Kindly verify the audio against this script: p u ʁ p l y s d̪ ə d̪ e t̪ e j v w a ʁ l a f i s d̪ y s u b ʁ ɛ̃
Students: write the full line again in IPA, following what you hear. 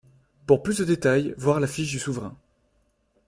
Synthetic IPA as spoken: p u ʁ p l y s d̪ ə d̪ e t̪ a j v w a ʁ l a f i ʃ d̪ y s u v ʁ ɛ̃